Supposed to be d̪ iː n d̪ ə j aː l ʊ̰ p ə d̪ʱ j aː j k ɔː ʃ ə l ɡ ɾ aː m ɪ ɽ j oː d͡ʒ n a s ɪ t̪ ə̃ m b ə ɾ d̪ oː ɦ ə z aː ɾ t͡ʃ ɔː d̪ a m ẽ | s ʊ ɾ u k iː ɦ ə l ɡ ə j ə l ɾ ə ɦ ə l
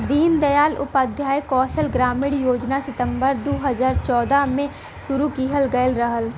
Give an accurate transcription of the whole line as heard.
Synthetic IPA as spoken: d̪ iː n d̪ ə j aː l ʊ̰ p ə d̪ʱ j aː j k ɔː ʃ ə l ɡ ɾ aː m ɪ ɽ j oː d͡ʒ n a s ɪ t̪ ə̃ m b ə ɾ d̪ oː ɦ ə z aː ɾ t͡ʃ ɔː d̪ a m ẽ | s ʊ ɾ u k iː ɦ ə l ɡ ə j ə l ɾ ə ɦ ə l